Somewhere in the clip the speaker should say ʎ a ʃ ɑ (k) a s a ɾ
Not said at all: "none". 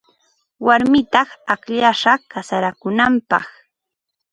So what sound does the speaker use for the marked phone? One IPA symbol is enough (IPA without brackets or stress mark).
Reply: k